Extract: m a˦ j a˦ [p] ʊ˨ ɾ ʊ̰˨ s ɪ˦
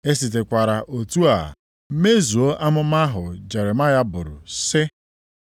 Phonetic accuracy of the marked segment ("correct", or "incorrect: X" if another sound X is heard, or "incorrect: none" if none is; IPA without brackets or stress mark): incorrect: b